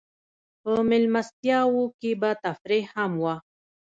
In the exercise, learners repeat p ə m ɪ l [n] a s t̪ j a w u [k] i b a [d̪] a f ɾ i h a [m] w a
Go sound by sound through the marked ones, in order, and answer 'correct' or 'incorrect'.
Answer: incorrect: m, correct, incorrect: t̪, correct

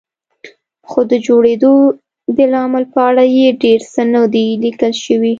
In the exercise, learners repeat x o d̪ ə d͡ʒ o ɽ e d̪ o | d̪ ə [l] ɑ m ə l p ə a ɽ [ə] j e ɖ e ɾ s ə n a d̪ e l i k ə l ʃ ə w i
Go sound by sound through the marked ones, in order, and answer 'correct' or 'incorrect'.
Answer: correct, incorrect: a

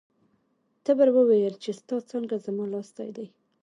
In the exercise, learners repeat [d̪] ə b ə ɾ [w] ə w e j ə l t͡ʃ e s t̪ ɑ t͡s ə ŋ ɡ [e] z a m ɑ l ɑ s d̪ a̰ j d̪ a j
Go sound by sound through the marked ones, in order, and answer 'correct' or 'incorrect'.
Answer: incorrect: t̪, correct, incorrect: a

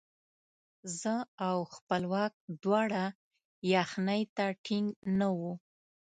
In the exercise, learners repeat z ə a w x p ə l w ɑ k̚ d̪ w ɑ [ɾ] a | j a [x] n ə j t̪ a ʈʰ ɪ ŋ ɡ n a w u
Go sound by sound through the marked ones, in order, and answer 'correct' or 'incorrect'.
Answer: incorrect: ɽ, correct

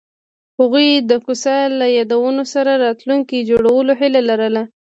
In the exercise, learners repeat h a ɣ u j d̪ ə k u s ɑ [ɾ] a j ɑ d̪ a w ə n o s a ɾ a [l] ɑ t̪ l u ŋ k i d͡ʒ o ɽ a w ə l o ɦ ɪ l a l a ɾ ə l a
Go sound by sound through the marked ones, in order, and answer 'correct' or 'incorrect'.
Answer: incorrect: l, incorrect: ɾ

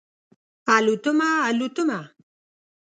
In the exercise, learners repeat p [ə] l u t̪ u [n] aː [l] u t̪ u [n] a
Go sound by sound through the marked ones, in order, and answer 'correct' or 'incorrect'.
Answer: incorrect: a, incorrect: m, correct, incorrect: m

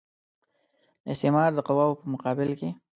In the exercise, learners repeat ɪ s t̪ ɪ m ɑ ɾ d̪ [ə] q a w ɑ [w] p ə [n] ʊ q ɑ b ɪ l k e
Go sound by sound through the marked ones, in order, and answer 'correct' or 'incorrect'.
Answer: correct, correct, incorrect: m

